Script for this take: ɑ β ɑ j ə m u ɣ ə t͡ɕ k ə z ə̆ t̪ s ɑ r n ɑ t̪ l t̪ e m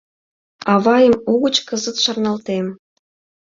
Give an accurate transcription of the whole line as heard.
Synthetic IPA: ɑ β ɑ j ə m u ɣ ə t͡ɕ k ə z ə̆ t̪ ʃ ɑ r n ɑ l t̪ e m

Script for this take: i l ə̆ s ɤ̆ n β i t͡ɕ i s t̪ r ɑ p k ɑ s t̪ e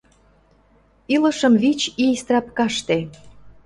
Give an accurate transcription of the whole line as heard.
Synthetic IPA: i l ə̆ ʃ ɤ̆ m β i t͡ɕ i s t̪ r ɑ p k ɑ ʃ t̪ e

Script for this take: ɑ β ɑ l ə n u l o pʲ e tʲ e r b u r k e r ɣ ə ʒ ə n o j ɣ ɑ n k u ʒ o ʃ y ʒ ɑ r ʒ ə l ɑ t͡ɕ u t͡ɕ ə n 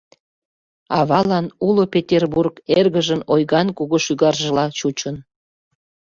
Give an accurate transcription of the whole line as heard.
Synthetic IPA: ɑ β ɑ l ɑ n u l o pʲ e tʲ e r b u r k e r ɣ ə ʒ ə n o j ɣ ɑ n k u ɣ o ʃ y ɣ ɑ r ʒ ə l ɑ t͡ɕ u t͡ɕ ə n

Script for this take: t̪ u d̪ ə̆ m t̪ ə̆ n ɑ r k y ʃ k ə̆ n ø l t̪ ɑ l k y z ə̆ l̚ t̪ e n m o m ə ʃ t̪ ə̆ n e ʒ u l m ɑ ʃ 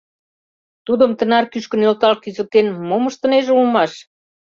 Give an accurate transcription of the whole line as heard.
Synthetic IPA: t̪ u d̪ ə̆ m t̪ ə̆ n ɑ r k y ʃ k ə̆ n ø l t̪ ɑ l k y z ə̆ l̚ t̪ e n m o m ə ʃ t̪ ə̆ n e ʒ u l m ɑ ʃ

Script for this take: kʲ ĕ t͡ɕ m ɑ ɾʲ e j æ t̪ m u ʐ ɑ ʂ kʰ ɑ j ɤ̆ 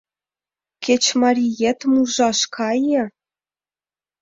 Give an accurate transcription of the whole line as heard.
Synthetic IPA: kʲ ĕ t͡ɕ m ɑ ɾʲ i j e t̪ m u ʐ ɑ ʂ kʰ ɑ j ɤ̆

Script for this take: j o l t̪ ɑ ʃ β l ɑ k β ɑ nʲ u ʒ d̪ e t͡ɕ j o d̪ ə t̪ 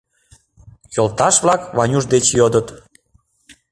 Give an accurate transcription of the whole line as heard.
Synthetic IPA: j o l t̪ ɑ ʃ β l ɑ k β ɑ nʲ u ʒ d̪ e t͡ɕ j o d̪ ə t̪

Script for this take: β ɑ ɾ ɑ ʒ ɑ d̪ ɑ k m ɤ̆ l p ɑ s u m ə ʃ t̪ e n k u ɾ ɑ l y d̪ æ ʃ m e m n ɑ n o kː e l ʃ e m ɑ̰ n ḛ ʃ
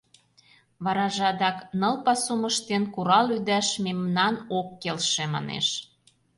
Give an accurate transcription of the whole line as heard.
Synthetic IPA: β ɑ ɾ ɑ ʒ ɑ d̪ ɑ k n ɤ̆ l p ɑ s u m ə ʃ t̪ e n k u ɾ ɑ l y d̪ æ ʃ m e m n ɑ n o kː e l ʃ e m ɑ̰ n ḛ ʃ

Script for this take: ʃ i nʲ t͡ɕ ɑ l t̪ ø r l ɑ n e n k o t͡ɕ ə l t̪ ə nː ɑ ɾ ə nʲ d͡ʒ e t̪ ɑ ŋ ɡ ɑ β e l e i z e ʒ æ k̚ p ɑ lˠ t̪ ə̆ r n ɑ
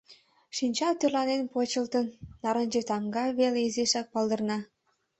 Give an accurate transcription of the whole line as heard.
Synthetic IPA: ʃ i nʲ t͡ɕ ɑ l t̪ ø r l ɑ n e n p o t͡ɕ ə l t̪ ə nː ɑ ɾ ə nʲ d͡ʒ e t̪ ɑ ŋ ɡ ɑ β e l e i z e ʃ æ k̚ p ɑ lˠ d̪ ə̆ r n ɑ

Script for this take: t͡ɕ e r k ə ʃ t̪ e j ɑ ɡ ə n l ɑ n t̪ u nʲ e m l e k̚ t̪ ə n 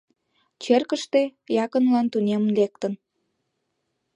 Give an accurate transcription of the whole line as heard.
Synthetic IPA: t͡ɕ e r k ə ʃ t̪ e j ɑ k ə n l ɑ n t̪ u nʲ e m l e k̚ t̪ ə n

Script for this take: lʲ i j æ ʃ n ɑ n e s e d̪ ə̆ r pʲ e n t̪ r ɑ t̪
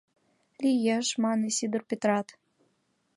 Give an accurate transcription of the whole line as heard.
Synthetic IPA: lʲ i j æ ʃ m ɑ n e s i d̪ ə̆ r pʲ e t̪ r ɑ t̪

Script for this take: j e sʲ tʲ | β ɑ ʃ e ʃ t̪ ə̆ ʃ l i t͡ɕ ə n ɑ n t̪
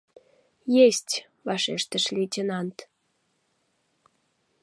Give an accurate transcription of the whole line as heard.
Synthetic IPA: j e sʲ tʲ | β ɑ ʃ e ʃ t̪ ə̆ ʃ l i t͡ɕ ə n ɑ n t̪

